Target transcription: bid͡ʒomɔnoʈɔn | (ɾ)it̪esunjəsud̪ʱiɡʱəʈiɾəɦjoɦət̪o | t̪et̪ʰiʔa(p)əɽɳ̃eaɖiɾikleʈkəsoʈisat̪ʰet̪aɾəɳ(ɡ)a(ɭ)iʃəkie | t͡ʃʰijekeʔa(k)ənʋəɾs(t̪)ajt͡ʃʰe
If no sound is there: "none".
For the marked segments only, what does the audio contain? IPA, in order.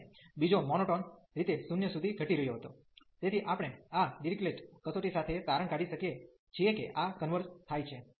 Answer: ɾ, p, k, ɽ, k, t̪ʰ

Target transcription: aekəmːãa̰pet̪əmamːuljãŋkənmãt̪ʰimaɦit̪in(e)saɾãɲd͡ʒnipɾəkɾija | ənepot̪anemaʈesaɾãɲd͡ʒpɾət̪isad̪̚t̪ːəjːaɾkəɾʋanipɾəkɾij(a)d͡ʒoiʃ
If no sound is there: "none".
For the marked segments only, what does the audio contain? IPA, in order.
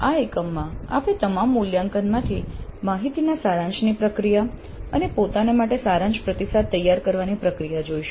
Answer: a, a

